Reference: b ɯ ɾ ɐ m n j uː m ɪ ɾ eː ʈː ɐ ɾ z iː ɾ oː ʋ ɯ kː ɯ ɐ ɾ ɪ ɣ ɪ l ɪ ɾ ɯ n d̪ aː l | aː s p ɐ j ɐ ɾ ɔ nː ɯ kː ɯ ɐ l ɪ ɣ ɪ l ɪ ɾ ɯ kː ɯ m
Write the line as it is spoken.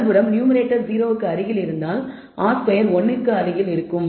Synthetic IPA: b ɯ ɾ ɐ m n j uː m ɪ ɾ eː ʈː ɐ ɾ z iː ɾ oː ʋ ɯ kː ɯ ɐ ɾ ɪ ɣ ɪ l ɪ ɾ ɯ n d̪ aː l | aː s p ɐ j ɐ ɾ ɔ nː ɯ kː ɯ ɐ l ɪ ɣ ɪ l ɪ ɾ ɯ kː ɯ m

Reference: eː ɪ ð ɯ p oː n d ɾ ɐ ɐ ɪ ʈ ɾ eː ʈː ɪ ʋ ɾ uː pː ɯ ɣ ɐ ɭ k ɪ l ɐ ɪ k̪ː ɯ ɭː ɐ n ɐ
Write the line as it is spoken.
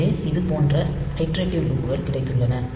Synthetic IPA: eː ɪ ð ɯ p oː n d r ɐ ɐ ɪ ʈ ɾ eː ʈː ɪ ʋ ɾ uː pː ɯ ɣ ɐ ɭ k ɪ ɽ ɐ ɪ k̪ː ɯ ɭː ɐ n ɐ

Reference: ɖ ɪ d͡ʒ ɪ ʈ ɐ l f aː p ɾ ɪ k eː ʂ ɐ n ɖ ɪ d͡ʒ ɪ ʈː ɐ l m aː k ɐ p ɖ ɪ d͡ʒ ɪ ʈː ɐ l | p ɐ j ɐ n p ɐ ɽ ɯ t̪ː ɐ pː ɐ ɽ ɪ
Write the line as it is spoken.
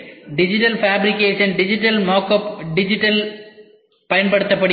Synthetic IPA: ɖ ɪ d͡ʒ ɪ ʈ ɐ l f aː b ɾ ɪ k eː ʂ ɐ n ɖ ɪ d͡ʒ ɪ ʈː ɐ l m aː k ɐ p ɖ ɪ d͡ʒ ɪ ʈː ɐ l | p ɐ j ɐ n p ɐ ɽ ɯ t̪ː ɐ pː ɐ ɽ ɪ

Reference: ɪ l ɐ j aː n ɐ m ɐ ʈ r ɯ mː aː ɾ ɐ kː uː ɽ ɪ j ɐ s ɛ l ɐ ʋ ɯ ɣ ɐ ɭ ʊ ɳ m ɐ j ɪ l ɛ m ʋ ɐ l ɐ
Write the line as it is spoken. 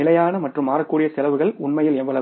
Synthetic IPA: ɪ l ɐ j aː n ɐ m ɐ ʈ r ɯ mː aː ɾ ɐ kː uː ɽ ɪ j ɐ s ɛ l ɐ ʋ ɯ ɣ ɐ ɭ ʊ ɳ m ɐ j ɪ l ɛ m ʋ ɐ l ɐ

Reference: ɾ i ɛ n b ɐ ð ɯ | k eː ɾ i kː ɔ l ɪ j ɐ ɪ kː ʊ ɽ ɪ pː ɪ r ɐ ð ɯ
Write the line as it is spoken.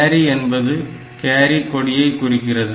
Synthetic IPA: ɾ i ɛ n b ɐ ð ɯ | k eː ɾ i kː ɔ ɽ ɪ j ɐ ɪ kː ʊ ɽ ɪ kː ɪ r ɐ ð ɯ

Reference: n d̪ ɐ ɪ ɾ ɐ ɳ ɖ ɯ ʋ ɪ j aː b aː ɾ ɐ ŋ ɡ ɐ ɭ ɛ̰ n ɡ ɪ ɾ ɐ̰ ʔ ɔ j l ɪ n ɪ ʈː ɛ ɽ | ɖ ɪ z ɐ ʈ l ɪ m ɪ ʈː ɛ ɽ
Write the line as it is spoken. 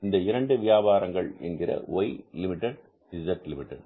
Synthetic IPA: n d̪ ɐ ɪ ɾ ɐ ɳ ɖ ɯ ʋ ɪ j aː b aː ɾ ɐ ŋ ɡ ɐ ɭ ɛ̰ n ɡ ɪ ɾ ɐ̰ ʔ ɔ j l ɪ m ɪ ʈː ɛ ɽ | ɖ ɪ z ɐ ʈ l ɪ m ɪ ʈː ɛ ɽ

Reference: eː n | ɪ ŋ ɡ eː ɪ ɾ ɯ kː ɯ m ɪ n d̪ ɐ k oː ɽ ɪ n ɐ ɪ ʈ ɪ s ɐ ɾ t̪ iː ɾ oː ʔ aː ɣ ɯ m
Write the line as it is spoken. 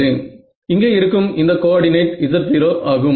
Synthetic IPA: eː n | ɪ ŋ ɡ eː ɪ ɾ ɯ kː ɯ m ɪ n d̪ ɐ k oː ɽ ɪ n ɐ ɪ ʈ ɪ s ɐ ɾ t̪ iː ɾ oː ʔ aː ɣ ɯ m

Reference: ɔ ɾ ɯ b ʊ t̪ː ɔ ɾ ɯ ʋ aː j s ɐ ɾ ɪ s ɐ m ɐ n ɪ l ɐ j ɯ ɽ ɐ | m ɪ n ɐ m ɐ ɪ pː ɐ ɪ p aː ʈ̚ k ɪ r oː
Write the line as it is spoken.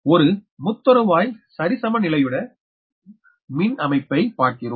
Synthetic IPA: ɔ ɾ ɯ m ʊ t̪ː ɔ ɾ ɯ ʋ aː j s ɐ ɾ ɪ s ɐ m ɐ n ɪ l ɐ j ɯ ɽ ɐ | m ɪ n ɐ m ɐ ɪ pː ɐ ɪ p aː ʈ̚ k ɪ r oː

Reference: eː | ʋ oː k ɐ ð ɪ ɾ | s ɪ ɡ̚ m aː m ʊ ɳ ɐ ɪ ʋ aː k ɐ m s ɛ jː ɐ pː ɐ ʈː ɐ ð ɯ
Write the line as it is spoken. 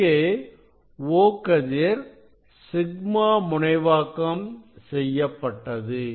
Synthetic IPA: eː | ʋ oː k ɐ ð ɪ ɾ | s ɪ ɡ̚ m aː m ʊ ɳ ɐ ɪ ʋ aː k ɐ m s ɛ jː ɐ pː ɐ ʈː ɐ ð ɯ

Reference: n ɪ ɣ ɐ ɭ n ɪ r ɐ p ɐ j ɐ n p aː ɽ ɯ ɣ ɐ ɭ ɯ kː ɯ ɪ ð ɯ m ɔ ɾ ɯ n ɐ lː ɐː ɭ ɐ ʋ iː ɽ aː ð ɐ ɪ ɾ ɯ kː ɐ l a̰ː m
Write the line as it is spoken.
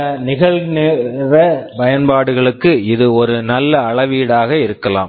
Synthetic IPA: n ɪ ɣ ɐ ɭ n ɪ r ɐ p ɐ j ɐ n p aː ɽ ɯ ɣ ɐ ɭ ɯ kː ɯ ɪ ð ɯ ɔ ɾ ɯ n ɐ lː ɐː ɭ ɐ ʋ iː ɽ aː ɣ ɐ ɪ ɾ ɯ kː ɐ l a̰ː m

